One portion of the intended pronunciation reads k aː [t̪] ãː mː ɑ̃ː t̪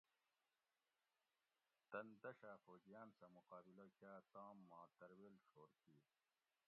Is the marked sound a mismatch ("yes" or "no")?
no